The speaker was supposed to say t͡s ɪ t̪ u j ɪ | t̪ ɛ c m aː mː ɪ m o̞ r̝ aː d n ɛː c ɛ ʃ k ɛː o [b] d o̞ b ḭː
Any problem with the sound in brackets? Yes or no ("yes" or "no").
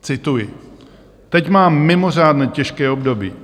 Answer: no